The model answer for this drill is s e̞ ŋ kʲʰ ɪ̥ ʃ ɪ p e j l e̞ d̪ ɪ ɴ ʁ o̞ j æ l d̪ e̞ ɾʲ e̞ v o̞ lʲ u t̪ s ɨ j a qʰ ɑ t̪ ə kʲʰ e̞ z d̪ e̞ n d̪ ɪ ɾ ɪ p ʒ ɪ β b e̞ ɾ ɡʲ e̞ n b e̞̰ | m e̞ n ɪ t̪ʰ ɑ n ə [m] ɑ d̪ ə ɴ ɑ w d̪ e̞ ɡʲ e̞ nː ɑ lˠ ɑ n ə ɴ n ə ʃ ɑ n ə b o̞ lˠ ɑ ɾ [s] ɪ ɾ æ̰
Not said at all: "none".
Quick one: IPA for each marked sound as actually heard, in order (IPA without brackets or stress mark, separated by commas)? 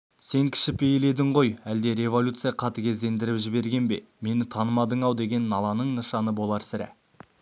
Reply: m, s